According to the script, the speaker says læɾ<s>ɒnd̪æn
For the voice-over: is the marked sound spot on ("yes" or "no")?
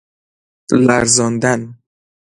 no